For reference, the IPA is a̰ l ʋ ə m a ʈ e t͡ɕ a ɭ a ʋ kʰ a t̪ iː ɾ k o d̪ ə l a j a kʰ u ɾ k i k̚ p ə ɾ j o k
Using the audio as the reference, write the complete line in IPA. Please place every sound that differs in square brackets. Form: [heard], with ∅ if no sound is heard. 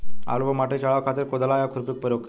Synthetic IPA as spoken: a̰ l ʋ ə m a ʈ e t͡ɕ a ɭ a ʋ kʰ a t̪ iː ɾ k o d̪ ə l a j a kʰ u ɾ [p] i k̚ p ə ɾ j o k